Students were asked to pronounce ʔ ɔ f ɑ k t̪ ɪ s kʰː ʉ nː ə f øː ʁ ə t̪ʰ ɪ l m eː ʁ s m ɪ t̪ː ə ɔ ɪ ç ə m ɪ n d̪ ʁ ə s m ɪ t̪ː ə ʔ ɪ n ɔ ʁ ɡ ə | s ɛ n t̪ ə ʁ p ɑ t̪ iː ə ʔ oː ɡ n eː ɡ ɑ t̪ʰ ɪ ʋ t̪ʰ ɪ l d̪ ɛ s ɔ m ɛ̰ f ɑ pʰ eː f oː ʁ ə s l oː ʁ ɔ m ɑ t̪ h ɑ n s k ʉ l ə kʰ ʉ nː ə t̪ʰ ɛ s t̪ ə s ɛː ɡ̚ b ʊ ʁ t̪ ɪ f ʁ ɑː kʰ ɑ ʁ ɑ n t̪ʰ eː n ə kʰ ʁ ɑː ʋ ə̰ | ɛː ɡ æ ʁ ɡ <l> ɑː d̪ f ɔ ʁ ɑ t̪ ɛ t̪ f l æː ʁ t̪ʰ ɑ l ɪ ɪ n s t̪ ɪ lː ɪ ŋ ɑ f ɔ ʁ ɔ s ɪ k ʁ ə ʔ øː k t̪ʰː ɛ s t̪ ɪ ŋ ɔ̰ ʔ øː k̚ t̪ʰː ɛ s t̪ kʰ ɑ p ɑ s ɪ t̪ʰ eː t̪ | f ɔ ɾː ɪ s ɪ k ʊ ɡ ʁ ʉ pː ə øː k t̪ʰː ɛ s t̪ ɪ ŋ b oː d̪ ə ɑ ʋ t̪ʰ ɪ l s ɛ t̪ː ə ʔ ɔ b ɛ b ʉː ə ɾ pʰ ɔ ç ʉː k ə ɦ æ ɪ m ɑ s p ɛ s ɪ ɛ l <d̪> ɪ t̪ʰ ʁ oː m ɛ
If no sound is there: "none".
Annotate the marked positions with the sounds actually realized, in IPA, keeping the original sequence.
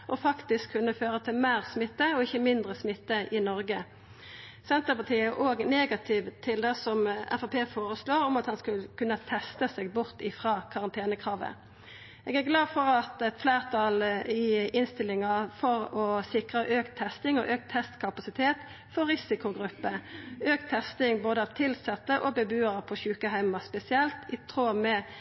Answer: l, t̪

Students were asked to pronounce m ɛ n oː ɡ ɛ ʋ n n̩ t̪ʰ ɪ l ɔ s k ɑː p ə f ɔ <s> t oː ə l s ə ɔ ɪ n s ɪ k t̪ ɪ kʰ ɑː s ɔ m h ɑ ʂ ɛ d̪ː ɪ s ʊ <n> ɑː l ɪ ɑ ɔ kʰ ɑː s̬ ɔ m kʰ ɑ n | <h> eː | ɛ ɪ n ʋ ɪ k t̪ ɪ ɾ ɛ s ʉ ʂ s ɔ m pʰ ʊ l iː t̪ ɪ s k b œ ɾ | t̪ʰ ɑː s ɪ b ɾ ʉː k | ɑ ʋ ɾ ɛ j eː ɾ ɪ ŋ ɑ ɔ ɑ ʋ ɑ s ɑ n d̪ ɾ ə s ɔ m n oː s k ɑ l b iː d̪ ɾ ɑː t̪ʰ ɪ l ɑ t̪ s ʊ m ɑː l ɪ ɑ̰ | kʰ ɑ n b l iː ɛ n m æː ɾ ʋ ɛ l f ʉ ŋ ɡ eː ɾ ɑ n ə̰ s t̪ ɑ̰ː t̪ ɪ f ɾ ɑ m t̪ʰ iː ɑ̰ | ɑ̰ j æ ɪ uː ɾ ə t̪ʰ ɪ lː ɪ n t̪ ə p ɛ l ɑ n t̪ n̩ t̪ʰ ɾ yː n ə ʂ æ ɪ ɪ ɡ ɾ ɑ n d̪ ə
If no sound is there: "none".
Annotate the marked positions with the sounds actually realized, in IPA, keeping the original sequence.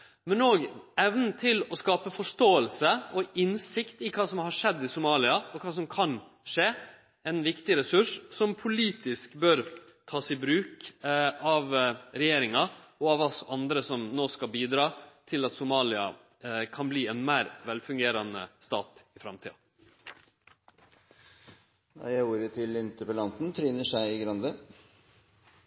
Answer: ʂ, m, ʂ

